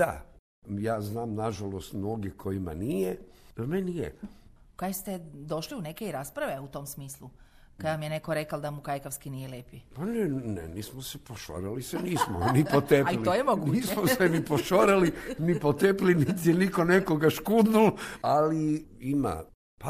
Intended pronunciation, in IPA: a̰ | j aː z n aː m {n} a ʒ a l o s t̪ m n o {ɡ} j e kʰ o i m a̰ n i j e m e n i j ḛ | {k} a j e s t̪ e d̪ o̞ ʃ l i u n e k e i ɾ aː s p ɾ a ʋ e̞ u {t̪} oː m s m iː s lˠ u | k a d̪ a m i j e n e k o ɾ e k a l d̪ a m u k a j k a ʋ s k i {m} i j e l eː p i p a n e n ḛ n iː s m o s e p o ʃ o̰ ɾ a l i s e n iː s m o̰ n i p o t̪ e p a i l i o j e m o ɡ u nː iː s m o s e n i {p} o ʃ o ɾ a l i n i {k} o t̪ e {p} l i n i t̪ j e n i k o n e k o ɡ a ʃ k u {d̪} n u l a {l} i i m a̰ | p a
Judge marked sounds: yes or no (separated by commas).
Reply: yes, yes, yes, yes, no, yes, no, yes, yes, yes